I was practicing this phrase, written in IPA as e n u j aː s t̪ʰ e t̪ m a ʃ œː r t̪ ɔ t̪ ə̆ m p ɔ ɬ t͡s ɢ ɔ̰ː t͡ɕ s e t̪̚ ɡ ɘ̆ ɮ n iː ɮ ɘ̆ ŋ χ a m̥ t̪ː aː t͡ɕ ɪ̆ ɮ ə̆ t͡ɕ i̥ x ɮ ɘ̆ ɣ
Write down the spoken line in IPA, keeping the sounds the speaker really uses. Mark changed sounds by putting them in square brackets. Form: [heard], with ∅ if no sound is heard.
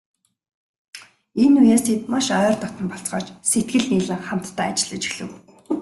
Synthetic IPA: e n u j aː s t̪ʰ e t̪ m a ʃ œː r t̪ ɔ t̪ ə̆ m p ɔ ɬ t͡s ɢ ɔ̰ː t͡ɕ s e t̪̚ ɡ ɘ̆ ɮ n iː ɮ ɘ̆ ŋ χ a m̥ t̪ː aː t͡ɕ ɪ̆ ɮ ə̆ t͡ɕ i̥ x ɮ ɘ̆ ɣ